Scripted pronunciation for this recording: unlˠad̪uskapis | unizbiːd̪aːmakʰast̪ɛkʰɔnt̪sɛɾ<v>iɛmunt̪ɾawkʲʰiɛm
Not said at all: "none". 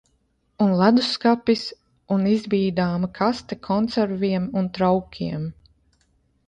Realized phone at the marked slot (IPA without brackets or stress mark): v